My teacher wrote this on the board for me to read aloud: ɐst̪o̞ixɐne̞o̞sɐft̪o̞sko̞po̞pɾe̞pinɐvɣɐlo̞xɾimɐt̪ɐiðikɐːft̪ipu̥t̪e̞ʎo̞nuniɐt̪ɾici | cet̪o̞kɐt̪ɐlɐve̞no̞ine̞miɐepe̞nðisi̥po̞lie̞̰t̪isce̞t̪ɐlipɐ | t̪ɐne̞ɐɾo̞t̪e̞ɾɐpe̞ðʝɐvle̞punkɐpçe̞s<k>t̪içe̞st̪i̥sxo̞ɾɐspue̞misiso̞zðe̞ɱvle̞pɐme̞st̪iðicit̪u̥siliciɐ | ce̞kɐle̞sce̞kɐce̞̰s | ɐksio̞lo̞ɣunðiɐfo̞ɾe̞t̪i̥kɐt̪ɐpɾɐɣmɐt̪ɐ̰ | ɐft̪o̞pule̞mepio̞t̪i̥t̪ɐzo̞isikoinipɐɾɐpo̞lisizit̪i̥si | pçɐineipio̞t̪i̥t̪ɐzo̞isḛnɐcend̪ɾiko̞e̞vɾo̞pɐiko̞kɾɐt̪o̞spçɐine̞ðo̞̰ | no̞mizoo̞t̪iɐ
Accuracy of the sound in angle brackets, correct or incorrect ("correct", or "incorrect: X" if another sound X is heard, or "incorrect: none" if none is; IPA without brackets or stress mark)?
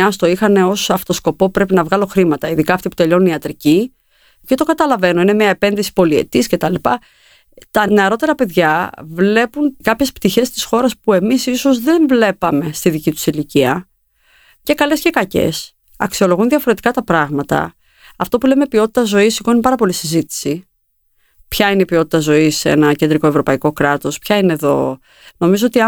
incorrect: p